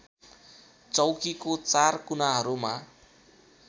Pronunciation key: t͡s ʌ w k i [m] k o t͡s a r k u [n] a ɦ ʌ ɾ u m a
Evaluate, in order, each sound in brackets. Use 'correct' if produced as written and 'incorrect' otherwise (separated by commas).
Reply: incorrect, correct